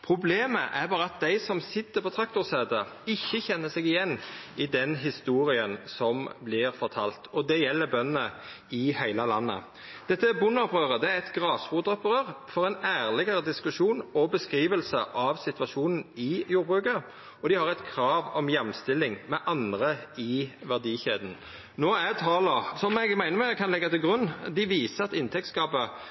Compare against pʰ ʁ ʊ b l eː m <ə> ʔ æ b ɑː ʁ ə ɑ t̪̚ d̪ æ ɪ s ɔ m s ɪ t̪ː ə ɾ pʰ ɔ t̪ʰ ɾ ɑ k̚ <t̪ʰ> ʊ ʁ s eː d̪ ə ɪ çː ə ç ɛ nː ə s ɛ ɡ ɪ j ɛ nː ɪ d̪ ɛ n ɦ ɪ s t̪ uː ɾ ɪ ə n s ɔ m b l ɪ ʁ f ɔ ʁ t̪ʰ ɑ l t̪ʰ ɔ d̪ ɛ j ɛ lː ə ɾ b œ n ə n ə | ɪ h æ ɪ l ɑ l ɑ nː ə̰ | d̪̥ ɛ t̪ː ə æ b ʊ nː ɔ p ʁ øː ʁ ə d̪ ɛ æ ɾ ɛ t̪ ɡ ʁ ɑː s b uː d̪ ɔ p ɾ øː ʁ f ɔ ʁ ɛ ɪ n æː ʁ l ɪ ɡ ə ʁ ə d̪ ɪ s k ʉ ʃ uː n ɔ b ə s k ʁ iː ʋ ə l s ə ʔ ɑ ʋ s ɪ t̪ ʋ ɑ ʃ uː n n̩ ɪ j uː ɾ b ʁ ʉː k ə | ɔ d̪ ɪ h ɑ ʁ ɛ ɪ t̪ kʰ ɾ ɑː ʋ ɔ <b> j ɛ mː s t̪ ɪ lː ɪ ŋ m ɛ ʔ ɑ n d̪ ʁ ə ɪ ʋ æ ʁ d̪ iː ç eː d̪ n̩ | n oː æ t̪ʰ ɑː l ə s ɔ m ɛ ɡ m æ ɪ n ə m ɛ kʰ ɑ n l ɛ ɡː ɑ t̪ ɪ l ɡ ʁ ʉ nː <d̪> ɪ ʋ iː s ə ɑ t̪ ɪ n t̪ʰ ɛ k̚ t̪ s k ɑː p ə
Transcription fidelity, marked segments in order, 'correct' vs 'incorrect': correct, incorrect: t̪, incorrect: m, correct

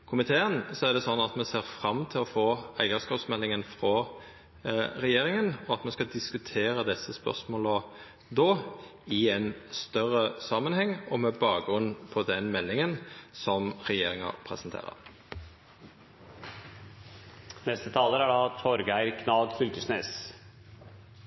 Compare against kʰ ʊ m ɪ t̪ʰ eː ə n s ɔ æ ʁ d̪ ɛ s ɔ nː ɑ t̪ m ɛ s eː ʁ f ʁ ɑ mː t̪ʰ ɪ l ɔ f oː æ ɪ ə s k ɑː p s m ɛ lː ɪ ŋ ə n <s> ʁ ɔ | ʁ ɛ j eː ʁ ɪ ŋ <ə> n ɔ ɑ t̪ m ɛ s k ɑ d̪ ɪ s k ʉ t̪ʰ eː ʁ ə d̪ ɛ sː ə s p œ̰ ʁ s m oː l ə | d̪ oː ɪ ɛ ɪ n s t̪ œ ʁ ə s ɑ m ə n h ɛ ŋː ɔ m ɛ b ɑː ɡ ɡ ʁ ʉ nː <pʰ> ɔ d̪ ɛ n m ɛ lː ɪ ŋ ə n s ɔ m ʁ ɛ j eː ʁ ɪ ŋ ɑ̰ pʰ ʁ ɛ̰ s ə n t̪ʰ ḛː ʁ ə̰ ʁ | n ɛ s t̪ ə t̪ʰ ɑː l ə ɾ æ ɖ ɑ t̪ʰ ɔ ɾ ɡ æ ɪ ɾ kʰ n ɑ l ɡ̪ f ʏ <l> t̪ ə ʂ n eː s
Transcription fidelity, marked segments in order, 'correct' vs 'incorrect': incorrect: f, correct, correct, correct

